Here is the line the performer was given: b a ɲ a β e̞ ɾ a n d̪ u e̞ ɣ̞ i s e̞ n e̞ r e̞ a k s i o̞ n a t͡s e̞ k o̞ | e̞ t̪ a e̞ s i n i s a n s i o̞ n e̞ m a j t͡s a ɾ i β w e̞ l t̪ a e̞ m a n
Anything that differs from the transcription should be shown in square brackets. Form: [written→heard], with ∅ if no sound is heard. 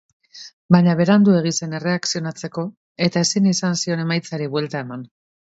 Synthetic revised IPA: b a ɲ a β e̞ ɾ a n d̪ u e̞ ɣ̞ i s e̞ n e̞ r e̞ a k s i o̞ n a t͡s e̞ k o̞ | e̞ t̪ a e̞ s i n i s a n s i o̞ n e̞ m a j t͡s a ɾ i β w e̞ l t̪ a e̞ m a n